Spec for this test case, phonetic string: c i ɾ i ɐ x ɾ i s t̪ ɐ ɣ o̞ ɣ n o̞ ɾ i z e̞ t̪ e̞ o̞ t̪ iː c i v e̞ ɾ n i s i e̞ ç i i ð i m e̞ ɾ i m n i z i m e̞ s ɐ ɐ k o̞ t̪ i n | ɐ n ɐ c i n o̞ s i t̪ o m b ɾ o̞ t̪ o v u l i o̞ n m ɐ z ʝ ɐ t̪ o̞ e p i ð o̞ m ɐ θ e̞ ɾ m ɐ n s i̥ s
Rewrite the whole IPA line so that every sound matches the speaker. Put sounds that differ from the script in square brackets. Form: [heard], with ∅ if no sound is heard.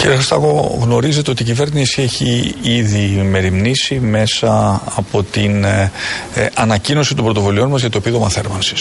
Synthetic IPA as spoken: c i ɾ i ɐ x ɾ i s t̪ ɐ ɣ o̞ ɣ n o̞ ɾ i z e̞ t̪ e̞ o̞ t̪ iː c i v e̞ ɾ n i s i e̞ ç i i ð i m e̞ ɾ i m n i [s] i m e̞ s ɐ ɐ [p] o̞ t̪ i n | ɐ n ɐ c i n o̞ s i t̪ o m b ɾ o̞ t̪ o v u l i o̞ n m ɐ z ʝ ɐ t̪ o̞ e p i ð o̞ m ɐ θ e̞ ɾ m ɐ n s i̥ s